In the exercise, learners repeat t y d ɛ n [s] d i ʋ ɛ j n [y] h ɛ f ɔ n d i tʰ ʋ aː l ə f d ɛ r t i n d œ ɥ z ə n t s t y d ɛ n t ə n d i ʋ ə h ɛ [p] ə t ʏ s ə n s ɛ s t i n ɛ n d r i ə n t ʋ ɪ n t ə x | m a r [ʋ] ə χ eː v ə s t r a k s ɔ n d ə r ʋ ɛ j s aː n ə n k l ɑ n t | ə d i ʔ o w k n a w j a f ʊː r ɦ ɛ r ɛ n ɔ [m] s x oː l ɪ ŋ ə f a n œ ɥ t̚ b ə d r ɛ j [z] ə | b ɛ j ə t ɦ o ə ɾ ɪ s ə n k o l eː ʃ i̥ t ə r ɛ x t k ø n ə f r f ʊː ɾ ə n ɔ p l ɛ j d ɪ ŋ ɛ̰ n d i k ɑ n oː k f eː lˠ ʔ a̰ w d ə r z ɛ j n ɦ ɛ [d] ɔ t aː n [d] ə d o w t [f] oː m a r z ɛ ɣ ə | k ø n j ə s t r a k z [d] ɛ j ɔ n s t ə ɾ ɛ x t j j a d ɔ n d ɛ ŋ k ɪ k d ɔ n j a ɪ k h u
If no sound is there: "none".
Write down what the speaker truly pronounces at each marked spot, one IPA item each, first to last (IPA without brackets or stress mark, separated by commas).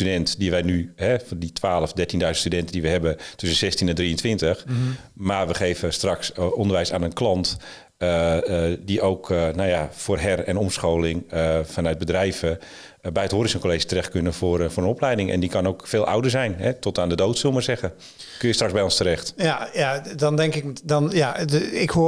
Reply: t, y, b, ʋ, m, v, t, d, s, b